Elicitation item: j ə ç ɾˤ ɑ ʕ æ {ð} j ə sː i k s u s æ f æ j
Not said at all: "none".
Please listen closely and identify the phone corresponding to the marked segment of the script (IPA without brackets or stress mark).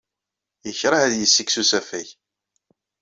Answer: ð